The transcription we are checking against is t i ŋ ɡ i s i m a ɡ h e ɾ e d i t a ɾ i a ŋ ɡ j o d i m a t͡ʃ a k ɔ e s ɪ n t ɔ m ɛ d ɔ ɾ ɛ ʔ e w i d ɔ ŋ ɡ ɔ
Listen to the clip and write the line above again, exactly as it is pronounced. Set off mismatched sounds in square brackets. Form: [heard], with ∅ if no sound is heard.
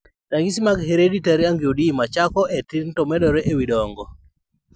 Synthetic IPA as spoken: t [a] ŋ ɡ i s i m a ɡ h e ɾ e d i t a ɾ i a ŋ ɡ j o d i m a t͡ʃ a k ɔ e [t] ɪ n t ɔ m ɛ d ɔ ɾ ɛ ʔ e w i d ɔ ŋ ɡ ɔ

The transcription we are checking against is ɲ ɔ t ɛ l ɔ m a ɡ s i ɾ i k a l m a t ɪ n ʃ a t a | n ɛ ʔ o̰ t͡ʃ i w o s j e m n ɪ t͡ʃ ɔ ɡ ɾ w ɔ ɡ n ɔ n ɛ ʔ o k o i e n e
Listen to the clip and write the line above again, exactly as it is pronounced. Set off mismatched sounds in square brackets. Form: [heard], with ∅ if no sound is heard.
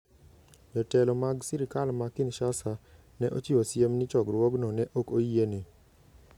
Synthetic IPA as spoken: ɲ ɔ t ɛ l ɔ m a ɡ s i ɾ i k a l m a [k] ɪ n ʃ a [s] a | n ɛ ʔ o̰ t͡ʃ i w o s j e m n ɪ t͡ʃ ɔ ɡ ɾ w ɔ ɡ n ɔ n ɛ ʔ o k o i e n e

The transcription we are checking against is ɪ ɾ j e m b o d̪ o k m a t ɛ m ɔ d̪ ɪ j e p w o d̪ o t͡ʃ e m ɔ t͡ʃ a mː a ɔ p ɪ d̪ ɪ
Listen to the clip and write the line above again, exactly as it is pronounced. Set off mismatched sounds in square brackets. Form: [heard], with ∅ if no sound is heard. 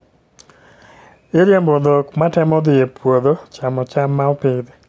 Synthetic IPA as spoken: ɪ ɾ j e m b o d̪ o k m a t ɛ m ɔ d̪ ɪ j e p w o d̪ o t͡ʃ [a] m ɔ t͡ʃ a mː a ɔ p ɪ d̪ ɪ

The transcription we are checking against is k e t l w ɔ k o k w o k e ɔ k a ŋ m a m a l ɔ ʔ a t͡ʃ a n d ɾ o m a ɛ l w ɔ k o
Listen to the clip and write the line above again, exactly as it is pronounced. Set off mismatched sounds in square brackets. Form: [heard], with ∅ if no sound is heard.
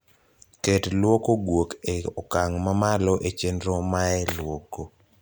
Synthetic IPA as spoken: k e t l w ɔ k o [ɡ] w o k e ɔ k a ŋ m a m a l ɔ ʔ [e] t͡ʃ [e] n d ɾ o m a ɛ l w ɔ k o

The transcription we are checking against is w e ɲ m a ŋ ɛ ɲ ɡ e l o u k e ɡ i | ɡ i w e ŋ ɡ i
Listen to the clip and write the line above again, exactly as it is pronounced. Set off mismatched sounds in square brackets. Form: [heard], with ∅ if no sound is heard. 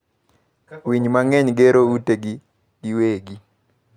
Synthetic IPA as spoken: w [i] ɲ m a ŋ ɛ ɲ ɡ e [ɾ] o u [t] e ɡ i | ɡ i w e [∅] ɡ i

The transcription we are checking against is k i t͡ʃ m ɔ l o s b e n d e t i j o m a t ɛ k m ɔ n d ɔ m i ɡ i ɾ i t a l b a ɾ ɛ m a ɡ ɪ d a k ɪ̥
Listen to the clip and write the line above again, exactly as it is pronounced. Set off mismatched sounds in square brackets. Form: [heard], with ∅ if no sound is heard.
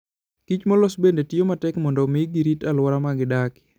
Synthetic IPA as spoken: k i t͡ʃ m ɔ l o s b e n d e t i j o m a t ɛ k m ɔ n d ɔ m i ɡ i ɾ i t a l [w] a ɾ [a] m a ɡ ɪ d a k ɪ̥

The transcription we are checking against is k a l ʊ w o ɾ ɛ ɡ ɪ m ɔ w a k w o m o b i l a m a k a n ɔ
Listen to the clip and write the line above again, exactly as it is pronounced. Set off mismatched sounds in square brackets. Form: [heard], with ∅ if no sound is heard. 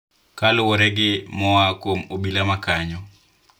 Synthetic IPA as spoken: k a l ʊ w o ɾ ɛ ɡ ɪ m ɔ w a k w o m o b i l a m a k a [ɲ] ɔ

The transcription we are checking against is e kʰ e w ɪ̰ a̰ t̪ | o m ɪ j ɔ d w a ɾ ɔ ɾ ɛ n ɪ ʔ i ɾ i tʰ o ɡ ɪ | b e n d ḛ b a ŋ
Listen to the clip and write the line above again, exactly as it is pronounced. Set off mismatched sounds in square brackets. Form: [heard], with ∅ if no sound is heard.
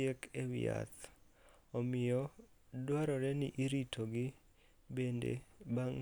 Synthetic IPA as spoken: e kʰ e w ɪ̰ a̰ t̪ | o m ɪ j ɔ d w a ɾ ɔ ɾ ɛ n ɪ ʔ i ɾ i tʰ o ɡ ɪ | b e n d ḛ b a ŋ

